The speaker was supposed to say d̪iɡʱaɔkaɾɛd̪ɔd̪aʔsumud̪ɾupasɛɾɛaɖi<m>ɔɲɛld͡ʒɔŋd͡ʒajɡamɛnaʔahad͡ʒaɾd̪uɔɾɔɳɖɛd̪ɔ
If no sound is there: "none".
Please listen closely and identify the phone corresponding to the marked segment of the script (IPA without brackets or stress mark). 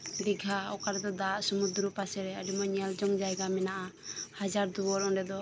m